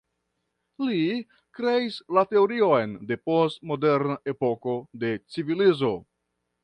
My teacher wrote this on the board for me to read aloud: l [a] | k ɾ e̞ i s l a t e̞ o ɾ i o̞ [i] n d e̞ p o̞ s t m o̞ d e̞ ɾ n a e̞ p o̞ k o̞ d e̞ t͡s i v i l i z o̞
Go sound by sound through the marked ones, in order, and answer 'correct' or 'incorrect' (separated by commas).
incorrect, incorrect